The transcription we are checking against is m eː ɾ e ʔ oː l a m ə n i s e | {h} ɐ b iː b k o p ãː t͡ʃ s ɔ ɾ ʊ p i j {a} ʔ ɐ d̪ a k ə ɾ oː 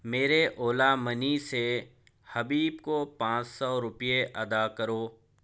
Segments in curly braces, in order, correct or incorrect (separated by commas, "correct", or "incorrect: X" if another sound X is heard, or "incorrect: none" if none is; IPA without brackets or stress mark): correct, incorrect: e